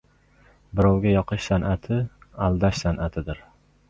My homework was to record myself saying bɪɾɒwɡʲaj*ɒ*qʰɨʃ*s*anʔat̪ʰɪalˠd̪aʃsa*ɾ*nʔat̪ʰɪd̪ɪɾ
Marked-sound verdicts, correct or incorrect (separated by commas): correct, correct, incorrect